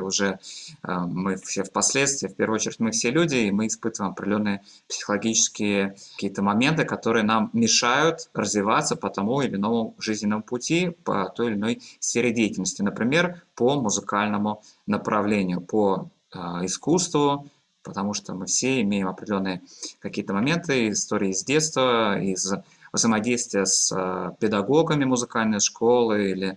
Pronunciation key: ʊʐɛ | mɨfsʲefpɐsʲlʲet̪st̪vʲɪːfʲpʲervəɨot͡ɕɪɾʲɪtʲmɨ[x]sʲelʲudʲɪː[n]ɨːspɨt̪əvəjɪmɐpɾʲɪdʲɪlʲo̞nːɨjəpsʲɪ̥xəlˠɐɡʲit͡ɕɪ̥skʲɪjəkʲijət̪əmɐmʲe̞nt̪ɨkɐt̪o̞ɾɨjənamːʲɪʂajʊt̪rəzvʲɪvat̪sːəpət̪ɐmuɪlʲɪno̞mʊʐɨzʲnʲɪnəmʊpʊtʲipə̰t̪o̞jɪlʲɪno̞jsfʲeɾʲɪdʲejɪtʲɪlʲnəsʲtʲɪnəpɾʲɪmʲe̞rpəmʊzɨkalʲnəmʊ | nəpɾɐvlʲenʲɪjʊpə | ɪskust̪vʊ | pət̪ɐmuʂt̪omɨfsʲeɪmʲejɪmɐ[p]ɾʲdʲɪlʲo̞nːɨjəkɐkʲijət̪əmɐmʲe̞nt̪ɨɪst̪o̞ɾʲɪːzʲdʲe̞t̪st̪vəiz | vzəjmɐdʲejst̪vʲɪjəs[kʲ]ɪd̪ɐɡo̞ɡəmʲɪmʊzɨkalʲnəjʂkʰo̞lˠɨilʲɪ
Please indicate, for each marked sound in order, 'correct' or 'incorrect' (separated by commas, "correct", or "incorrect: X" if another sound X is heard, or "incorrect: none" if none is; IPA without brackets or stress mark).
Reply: incorrect: f, incorrect: m, correct, incorrect: pʲ